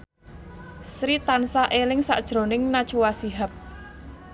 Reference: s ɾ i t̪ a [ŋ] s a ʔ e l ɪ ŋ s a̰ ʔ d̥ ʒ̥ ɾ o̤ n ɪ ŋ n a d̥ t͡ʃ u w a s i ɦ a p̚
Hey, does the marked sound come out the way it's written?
no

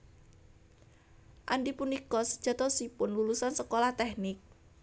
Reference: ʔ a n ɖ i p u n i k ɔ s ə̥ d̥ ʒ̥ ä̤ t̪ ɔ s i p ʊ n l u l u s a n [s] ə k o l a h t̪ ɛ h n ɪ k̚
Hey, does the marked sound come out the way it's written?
yes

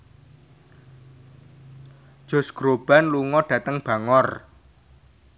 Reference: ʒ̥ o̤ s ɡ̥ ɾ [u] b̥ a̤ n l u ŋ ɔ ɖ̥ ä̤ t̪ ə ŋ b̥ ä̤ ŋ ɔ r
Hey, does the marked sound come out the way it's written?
no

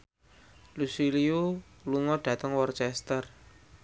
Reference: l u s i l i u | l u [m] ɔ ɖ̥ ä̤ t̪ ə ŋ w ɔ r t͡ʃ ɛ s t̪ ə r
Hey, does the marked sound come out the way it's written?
no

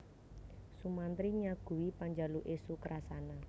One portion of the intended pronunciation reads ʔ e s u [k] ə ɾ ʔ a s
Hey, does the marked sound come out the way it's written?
yes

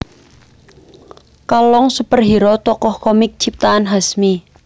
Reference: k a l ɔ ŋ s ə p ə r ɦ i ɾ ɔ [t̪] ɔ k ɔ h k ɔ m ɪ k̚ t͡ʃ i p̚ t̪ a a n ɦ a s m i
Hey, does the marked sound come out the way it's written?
yes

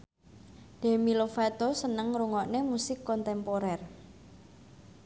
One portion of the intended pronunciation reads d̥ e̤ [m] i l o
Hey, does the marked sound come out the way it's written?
yes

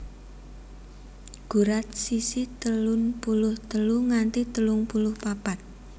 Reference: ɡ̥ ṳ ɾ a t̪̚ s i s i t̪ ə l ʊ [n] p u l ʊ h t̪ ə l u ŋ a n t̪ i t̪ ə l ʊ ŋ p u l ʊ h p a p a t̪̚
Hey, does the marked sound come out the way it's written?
yes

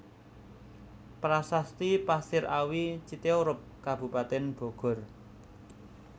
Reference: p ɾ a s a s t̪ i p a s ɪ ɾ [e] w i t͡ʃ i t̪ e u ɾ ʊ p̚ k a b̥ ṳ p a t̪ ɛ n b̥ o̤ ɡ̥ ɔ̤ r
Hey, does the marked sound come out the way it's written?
no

